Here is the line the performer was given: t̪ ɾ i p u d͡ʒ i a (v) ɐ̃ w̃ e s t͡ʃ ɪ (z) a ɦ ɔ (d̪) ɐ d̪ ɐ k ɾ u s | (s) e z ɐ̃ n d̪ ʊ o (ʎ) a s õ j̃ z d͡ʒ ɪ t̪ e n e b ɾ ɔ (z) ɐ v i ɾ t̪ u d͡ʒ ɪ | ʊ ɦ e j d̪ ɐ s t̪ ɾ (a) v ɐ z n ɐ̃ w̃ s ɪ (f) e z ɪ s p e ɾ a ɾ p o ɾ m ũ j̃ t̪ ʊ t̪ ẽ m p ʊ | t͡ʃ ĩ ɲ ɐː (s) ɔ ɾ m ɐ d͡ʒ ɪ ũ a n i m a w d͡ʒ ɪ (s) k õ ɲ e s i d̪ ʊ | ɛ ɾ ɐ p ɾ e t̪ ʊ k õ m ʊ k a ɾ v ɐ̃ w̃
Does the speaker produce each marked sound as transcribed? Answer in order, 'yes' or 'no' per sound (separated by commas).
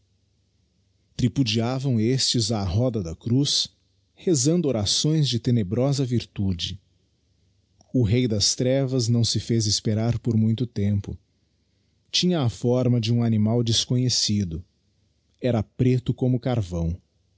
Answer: yes, yes, yes, no, no, yes, no, yes, no, yes